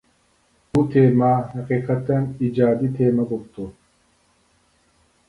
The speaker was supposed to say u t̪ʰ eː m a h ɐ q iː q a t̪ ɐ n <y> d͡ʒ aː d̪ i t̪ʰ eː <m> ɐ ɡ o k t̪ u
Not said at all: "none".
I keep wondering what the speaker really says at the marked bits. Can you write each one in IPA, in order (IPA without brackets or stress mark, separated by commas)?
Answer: i, m